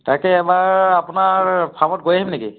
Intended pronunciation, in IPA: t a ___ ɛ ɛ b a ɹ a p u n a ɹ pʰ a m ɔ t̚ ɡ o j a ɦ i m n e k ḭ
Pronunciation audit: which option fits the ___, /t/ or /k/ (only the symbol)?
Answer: k